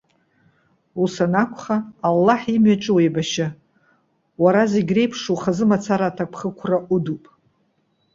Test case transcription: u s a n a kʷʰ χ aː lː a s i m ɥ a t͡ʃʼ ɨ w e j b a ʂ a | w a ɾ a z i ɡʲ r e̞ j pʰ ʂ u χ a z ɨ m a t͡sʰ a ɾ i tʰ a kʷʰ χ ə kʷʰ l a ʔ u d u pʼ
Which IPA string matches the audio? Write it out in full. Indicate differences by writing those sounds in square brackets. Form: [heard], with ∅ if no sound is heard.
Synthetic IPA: u s a n a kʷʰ χ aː lː a [ħ] i m ɥ a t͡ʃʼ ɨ w e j b a [ʃ] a | w a ɾ a z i ɡʲ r e̞ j pʰ ʂ u χ a z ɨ m a t͡sʰ a ɾ [a] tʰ a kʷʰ χ ə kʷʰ [r] a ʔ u d u pʼ